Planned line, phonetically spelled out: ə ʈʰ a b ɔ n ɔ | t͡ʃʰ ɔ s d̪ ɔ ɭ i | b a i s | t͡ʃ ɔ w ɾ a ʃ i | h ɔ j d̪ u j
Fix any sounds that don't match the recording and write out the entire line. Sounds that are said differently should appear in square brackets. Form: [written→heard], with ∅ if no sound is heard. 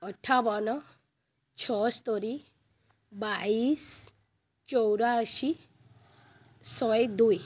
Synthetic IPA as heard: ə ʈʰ a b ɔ n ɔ | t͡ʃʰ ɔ s [d̪→t̪] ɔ [ɭ→ɾ] i | b a i s | t͡ʃ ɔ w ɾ a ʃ i | [h→s] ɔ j d̪ u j